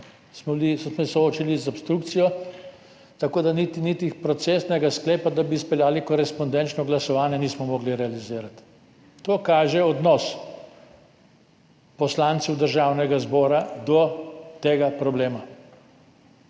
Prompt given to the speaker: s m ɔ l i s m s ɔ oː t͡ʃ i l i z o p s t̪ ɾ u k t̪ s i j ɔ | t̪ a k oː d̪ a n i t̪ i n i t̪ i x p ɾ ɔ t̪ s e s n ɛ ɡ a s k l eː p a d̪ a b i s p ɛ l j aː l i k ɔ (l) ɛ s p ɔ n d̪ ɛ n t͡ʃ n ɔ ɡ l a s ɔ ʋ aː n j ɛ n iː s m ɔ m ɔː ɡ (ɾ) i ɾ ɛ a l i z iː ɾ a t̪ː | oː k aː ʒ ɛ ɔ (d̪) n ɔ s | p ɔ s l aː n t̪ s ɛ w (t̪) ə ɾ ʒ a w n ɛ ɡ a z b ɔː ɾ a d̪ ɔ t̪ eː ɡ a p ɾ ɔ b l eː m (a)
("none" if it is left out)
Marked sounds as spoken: ɾ, l, d̪, d̪, a

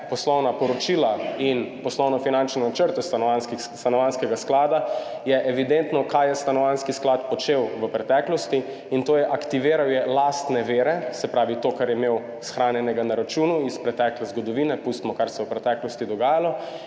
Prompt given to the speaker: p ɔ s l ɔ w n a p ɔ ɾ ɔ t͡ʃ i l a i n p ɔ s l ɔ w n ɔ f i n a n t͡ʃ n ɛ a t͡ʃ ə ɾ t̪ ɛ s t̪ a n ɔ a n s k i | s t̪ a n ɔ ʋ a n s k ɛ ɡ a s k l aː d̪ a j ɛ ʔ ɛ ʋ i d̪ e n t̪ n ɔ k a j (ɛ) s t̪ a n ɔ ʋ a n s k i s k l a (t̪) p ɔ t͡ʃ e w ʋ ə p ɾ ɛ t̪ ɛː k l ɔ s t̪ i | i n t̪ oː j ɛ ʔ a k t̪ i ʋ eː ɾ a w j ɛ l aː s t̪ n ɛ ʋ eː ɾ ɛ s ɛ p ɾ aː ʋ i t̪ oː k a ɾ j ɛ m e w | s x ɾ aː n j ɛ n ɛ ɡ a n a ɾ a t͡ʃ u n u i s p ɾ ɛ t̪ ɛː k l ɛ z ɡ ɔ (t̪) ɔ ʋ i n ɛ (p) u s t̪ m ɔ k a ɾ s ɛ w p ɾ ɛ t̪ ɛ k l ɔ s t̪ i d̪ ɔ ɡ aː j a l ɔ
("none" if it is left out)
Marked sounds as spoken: ɛ, t̪, d̪, p

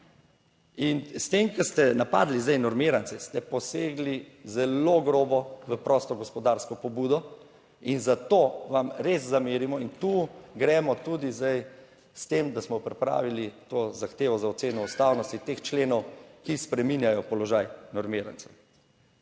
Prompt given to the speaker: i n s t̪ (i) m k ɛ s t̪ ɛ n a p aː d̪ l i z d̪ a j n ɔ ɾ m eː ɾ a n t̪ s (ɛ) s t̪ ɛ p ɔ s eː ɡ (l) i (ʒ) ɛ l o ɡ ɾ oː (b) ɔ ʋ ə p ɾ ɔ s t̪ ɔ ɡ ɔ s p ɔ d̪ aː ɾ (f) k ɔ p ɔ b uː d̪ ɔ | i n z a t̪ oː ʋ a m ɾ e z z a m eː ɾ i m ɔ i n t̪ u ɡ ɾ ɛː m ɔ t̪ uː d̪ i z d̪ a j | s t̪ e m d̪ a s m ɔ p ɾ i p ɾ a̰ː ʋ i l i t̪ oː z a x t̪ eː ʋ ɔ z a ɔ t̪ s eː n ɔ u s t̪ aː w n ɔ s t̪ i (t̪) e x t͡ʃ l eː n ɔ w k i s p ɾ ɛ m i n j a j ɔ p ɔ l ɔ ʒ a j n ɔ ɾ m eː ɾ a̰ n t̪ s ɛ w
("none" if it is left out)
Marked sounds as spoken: e, ɛ, l, z, b, s, t̪

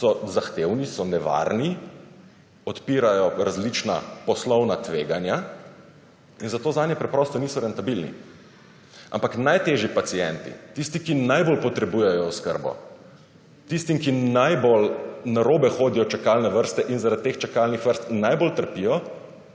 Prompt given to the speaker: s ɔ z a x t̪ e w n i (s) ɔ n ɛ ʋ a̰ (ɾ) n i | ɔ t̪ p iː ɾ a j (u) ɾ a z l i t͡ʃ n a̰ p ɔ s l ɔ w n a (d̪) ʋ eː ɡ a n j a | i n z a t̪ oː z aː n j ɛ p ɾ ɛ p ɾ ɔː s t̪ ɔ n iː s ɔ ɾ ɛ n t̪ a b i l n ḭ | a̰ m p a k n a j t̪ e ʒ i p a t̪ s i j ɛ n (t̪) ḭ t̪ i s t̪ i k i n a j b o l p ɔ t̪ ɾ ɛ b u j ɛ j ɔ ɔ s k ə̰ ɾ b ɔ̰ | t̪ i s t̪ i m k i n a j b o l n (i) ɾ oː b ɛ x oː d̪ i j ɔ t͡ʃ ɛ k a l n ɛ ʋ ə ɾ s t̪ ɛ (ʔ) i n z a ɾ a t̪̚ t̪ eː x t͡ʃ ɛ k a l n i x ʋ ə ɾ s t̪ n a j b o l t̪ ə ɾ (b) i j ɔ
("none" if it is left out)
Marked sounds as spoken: s, ɾ, ɔ, t̪, t̪, a, ʔ, p

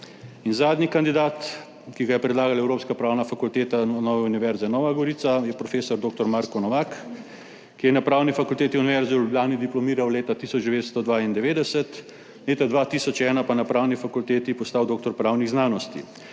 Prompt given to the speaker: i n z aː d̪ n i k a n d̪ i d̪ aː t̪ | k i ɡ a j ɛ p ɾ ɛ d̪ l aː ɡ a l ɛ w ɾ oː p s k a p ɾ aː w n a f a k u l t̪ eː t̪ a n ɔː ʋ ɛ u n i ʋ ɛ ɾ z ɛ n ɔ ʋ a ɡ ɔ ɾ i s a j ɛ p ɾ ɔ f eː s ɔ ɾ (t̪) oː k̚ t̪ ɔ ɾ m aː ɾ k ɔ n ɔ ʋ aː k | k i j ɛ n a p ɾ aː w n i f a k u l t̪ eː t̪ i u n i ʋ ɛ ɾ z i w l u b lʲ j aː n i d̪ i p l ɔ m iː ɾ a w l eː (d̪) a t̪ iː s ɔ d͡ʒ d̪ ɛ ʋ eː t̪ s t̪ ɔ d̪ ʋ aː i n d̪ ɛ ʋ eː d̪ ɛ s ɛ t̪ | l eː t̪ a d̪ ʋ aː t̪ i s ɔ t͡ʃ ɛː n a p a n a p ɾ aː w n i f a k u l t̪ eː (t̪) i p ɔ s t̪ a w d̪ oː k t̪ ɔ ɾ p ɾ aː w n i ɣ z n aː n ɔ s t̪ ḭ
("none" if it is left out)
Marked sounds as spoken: d̪, t̪, t̪

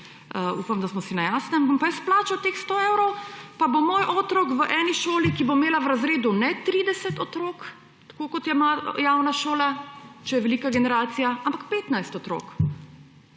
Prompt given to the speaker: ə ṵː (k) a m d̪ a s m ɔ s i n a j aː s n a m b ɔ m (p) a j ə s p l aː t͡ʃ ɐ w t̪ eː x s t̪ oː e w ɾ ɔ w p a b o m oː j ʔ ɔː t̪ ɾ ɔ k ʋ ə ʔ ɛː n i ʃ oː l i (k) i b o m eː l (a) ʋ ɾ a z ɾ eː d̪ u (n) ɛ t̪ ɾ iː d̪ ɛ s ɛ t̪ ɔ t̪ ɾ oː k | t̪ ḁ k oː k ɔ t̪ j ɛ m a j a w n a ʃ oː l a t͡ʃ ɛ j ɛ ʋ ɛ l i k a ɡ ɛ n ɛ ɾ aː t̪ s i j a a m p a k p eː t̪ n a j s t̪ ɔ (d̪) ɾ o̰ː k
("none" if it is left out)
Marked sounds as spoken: p, p, k, a, n, t̪

